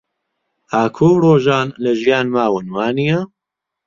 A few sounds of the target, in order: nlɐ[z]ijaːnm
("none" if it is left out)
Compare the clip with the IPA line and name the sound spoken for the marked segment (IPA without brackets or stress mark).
ʒ